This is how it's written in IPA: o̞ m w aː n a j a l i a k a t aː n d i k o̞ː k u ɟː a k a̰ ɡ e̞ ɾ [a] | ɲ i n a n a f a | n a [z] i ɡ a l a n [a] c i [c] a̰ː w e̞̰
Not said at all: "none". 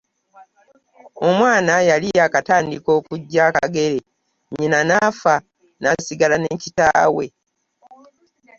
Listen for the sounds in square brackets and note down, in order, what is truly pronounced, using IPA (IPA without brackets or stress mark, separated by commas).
e, s, e, t